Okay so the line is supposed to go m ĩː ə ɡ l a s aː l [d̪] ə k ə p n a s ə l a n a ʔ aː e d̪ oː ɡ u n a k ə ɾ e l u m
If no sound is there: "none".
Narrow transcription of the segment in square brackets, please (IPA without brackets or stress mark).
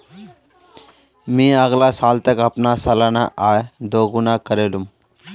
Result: t̪